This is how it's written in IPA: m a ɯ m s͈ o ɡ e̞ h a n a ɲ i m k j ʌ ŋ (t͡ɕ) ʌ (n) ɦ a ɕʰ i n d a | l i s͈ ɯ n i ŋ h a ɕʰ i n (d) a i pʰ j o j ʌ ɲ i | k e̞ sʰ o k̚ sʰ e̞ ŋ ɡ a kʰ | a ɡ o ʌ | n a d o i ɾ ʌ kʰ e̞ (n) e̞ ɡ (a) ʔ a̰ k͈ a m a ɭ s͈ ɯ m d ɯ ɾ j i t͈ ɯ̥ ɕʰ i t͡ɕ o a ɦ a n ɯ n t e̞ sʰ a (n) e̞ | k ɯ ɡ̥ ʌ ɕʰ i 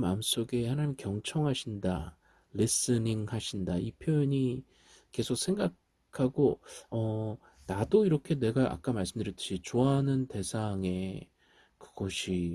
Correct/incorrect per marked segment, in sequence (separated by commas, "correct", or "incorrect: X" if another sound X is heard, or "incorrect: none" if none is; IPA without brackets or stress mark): incorrect: t͡ɕʰ, incorrect: ŋ, correct, correct, correct, incorrect: ŋ